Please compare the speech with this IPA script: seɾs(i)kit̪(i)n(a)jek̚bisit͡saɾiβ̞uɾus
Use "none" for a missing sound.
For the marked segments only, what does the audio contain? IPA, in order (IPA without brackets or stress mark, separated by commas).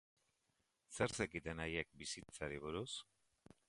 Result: e, e, a